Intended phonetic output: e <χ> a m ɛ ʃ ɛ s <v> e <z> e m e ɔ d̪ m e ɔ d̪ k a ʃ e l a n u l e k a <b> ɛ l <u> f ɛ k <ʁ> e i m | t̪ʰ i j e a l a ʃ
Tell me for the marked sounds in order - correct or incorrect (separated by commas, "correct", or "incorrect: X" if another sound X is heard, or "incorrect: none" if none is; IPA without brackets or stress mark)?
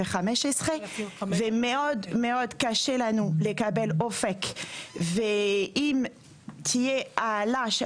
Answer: correct, incorrect: ʁ, incorrect: v, correct, incorrect: o, incorrect: v